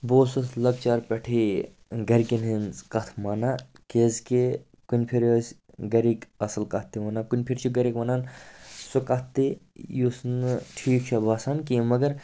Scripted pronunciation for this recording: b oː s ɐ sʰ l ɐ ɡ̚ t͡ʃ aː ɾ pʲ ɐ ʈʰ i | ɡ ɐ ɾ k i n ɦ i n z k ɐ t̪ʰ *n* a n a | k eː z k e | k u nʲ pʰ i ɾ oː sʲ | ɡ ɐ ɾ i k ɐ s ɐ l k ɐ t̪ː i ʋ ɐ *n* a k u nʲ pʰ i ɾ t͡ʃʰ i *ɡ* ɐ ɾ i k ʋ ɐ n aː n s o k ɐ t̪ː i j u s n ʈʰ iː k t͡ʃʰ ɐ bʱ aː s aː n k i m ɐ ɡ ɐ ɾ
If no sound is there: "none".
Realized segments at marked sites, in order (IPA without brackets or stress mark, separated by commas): m, n, ɡ